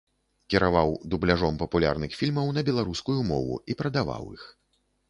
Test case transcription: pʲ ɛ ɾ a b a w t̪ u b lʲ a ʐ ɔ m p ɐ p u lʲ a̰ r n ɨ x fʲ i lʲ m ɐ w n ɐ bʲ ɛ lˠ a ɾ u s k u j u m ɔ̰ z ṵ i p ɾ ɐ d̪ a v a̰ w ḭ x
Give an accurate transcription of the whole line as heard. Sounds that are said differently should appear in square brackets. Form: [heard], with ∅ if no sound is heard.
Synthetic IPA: [kʲ] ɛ ɾ a [v] a w [d̪] u b lʲ a ʐ ɔ m p ɐ p u lʲ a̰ r n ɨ x fʲ i lʲ m ɐ w n ɐ bʲ ɛ lˠ a ɾ u s k u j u m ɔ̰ [v] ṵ i p ɾ ɐ d̪ a v a̰ w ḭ x